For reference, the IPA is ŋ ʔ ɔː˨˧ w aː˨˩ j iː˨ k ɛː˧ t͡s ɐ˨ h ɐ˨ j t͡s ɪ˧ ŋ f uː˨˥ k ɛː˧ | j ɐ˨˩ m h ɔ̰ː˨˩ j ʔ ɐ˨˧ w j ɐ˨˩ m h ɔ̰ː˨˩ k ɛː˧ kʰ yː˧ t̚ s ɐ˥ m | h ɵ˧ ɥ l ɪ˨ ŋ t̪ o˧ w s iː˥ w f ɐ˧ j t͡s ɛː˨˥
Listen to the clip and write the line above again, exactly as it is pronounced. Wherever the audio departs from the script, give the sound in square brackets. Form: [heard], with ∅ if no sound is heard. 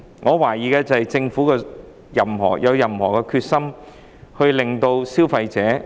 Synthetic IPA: ŋ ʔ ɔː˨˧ w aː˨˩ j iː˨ k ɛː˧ t͡s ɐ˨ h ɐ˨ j t͡s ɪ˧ ŋ f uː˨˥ k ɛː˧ | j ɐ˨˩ m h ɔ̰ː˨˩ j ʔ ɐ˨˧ w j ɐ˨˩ m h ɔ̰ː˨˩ k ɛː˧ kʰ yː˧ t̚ s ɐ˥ m | h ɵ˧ ɥ l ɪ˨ ŋ t̪ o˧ w s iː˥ w f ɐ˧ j t͡s ɛː˨˥